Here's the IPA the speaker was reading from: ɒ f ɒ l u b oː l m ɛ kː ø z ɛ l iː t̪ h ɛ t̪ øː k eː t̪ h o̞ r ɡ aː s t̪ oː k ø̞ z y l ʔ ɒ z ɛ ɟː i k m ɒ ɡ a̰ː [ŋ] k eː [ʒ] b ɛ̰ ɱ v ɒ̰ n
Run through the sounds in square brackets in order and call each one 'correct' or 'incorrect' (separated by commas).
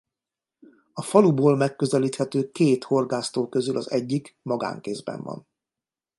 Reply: correct, incorrect